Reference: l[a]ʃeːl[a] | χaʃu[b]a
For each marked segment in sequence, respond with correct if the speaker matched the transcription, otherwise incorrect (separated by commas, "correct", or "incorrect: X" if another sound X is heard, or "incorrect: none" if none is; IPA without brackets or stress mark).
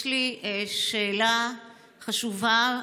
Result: incorrect: i, correct, incorrect: v